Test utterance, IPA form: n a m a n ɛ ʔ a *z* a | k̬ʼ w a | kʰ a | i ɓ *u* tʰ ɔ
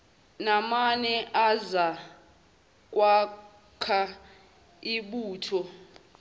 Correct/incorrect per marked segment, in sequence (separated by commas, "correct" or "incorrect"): correct, incorrect